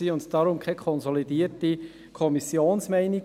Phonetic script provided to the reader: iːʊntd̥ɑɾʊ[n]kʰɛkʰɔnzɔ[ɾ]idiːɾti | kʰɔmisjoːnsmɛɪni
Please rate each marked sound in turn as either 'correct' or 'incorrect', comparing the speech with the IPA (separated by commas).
incorrect, incorrect